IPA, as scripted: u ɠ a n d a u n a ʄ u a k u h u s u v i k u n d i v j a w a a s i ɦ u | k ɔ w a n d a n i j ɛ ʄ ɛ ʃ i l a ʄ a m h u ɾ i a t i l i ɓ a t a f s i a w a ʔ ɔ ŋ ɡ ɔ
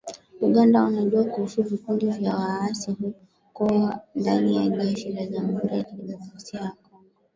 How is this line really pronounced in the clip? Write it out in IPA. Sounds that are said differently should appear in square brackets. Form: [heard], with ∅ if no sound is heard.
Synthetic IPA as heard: u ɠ a n d a u n a ʄ u a k u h u s u v i k u n d i v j a w a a s i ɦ u | k ɔ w a n d a n i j [a] ʄ ɛ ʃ i l a ʄ a m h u ɾ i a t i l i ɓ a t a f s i a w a [k] ɔ ŋ ɡ ɔ